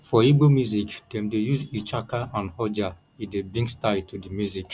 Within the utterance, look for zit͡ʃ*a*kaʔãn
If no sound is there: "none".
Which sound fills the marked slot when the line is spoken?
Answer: a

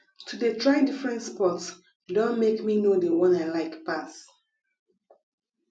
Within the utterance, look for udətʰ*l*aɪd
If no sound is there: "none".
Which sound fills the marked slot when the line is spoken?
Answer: ɹ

